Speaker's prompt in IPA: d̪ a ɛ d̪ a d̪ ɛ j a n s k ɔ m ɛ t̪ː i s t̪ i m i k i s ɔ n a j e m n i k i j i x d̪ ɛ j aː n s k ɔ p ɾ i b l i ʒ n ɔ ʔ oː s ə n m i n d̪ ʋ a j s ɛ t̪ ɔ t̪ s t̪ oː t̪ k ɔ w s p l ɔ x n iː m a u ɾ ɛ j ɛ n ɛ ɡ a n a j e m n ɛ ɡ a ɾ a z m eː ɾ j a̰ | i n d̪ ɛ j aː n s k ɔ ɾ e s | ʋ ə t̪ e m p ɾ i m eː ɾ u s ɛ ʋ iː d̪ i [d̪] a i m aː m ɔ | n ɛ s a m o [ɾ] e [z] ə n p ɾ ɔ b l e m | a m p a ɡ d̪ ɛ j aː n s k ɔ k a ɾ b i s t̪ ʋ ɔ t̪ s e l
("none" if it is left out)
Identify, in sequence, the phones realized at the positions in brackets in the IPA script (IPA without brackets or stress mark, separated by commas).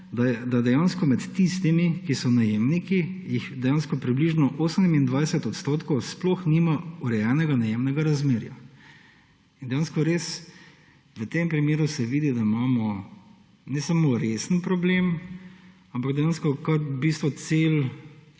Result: d̪, ɾ, s